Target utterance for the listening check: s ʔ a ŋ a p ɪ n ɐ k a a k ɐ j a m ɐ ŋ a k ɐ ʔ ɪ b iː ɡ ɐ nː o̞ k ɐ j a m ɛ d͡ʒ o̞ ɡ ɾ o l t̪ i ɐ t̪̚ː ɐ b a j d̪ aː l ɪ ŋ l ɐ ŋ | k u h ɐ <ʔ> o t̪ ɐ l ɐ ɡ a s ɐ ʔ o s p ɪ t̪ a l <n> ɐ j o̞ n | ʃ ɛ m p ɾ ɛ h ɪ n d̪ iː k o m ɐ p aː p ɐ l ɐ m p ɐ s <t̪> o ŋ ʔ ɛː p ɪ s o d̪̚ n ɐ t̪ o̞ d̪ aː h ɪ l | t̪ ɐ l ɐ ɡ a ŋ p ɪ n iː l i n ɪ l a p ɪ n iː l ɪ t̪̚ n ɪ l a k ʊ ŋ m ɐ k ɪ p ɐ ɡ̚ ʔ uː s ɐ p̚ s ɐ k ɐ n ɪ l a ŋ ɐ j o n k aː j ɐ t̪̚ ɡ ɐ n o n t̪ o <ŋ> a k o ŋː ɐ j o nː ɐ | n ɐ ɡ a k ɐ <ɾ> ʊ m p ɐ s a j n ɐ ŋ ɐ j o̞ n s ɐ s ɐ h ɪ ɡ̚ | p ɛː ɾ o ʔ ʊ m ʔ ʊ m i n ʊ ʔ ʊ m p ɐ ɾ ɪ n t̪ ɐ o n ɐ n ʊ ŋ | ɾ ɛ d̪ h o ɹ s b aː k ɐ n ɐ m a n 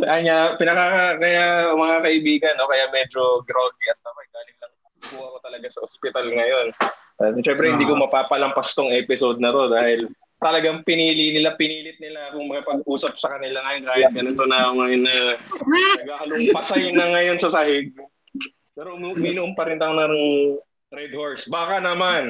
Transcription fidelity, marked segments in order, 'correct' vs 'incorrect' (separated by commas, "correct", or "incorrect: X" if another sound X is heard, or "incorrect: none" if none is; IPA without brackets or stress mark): incorrect: k, incorrect: ŋ, correct, incorrect: n, incorrect: l